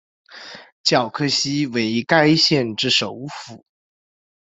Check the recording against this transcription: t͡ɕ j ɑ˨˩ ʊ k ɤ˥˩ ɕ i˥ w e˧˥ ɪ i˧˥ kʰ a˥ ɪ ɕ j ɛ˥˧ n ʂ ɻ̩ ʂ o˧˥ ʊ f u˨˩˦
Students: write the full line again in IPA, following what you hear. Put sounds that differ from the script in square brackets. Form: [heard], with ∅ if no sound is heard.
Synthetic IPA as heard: t͡ɕ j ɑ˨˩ ʊ [kʰ] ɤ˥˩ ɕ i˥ w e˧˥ ɪ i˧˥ [k] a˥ ɪ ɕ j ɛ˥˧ n [ʈ͡ʂ] ɻ̩ ʂ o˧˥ ʊ f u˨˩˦